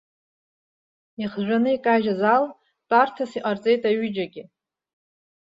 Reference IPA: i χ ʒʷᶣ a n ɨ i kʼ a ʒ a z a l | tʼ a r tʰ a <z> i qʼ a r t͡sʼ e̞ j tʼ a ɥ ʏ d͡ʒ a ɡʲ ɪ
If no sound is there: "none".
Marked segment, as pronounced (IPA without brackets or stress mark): s